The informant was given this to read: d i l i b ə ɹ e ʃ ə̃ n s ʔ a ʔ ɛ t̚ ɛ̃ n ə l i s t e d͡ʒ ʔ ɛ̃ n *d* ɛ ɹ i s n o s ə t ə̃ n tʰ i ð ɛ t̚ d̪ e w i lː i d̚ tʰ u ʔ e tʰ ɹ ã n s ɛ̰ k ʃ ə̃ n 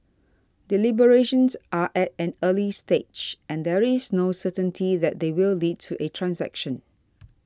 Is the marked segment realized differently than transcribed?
no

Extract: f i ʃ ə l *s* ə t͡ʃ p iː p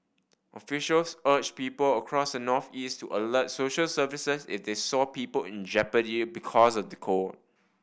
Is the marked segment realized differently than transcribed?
no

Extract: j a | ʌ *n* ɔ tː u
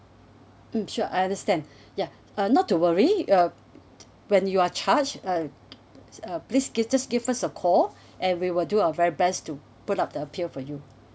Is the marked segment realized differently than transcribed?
no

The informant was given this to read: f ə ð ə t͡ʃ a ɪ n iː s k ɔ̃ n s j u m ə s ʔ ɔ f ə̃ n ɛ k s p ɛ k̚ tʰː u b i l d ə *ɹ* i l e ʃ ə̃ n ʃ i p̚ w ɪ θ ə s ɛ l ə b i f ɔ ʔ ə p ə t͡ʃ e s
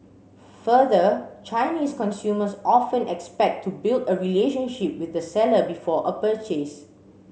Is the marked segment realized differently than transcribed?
no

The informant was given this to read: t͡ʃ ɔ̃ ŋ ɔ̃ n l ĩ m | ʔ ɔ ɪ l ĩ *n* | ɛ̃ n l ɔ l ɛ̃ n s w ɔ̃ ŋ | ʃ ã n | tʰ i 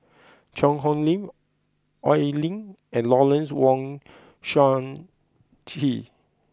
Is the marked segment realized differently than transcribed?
yes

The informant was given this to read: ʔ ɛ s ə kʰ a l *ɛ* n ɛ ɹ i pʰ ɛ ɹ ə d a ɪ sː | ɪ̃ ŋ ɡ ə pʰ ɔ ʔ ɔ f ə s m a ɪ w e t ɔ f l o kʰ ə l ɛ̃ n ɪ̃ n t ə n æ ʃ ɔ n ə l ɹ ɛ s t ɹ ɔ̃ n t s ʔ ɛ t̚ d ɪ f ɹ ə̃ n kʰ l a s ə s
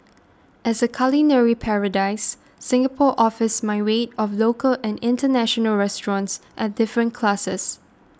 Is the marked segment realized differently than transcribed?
yes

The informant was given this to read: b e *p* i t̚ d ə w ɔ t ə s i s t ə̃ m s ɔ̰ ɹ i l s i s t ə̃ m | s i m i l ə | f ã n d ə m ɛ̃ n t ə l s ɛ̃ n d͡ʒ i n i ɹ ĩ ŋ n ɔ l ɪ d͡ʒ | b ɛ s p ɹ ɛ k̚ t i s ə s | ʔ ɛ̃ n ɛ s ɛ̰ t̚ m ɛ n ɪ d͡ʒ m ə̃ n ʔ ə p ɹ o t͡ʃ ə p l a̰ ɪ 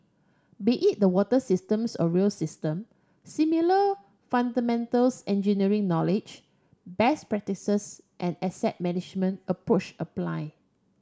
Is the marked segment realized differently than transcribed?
yes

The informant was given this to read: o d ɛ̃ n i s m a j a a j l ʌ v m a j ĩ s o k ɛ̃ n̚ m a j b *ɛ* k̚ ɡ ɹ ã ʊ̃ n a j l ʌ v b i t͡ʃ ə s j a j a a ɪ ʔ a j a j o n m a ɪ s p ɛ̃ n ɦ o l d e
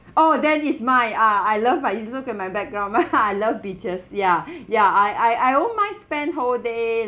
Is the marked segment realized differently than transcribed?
no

